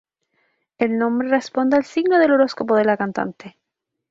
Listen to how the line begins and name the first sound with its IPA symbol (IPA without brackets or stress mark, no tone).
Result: e